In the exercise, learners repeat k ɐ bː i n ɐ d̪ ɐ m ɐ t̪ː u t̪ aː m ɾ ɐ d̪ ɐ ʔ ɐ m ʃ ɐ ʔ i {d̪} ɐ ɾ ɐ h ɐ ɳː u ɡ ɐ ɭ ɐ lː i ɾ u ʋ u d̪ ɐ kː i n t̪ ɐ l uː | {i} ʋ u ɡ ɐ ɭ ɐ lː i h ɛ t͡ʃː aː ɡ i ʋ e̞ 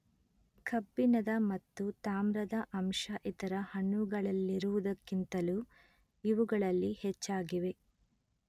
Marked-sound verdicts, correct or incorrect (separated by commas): incorrect, correct